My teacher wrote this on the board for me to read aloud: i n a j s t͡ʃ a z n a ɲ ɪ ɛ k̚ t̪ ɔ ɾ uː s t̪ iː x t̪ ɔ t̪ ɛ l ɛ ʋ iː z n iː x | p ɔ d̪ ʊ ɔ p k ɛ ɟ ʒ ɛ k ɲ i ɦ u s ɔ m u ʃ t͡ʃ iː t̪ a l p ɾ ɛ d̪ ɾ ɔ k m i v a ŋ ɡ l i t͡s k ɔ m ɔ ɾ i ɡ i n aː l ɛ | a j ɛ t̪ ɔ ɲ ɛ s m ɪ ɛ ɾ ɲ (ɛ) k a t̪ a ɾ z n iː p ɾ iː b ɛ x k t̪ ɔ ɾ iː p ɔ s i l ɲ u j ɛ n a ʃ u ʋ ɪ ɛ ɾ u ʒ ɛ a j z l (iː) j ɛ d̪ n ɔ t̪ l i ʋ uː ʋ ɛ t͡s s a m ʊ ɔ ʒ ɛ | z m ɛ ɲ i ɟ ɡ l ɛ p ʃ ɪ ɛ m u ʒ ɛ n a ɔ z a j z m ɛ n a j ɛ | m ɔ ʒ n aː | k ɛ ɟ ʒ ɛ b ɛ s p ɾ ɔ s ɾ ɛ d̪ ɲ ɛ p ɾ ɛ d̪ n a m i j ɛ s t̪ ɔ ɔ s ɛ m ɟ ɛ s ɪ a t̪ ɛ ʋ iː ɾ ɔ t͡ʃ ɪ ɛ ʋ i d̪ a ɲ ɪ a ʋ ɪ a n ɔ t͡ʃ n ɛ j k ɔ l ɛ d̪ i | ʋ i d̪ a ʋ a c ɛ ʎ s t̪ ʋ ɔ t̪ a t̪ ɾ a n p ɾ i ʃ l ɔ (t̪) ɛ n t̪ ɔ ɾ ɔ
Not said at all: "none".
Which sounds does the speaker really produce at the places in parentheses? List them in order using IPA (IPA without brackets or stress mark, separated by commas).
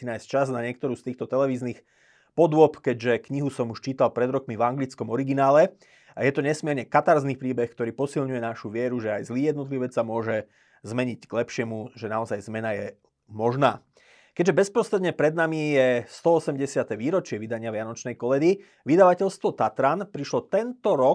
ɛ, iː, t̪